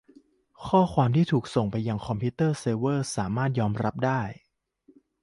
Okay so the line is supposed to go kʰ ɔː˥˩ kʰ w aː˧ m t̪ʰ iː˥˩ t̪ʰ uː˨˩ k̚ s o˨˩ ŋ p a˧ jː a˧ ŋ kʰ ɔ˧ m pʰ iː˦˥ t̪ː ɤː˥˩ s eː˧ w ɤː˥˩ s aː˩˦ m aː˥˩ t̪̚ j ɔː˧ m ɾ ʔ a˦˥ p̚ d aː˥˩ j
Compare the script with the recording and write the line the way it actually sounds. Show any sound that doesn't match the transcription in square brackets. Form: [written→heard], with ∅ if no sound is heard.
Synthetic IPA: kʰ ɔː˥˩ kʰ w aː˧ m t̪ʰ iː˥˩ t̪ʰ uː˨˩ k̚ s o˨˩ ŋ p a˧ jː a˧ ŋ kʰ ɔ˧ m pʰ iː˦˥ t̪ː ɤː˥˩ s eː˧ w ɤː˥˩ s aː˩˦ m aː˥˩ t̪̚ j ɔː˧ m ɾ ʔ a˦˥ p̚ d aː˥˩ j